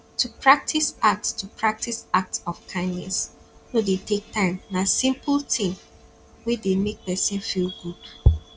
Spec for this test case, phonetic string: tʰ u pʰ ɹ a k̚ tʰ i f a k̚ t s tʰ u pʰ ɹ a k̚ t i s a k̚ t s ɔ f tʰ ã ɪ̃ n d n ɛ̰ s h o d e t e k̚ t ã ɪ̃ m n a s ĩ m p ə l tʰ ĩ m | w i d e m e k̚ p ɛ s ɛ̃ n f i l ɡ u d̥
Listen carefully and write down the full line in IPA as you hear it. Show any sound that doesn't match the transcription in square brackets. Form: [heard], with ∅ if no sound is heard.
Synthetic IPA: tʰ u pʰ ɹ a k̚ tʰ i [s] a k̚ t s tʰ u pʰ ɹ a k̚ t i s a k̚ t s ɔ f [kʰ] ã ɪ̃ n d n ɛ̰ s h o d e t e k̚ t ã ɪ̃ m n a s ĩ m p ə l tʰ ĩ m | w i d e m e k̚ p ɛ s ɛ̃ n f i l ɡ u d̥